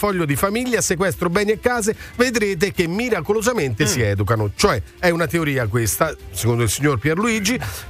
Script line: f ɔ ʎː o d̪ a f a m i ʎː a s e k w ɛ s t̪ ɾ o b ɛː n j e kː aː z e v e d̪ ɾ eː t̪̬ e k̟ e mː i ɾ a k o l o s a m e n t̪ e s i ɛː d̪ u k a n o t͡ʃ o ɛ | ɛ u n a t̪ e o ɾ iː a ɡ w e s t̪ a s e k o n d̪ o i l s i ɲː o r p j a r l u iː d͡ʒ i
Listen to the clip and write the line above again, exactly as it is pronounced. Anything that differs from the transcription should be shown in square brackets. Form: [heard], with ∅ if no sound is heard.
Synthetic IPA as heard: f ɔ ʎː o d̪ [i] f a m i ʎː a s e k w ɛ s t̪ ɾ o b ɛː n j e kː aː z e v e d̪ ɾ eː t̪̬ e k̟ e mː i ɾ a k o l o [z] a m e n t̪ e s i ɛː d̪ u k a n o t͡ʃ o ɛ | ɛ u n a t̪ e o ɾ iː a [k] w e s t̪ a s e k o n d̪ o i l s i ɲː o r p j [ɛ] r l u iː d͡ʒ i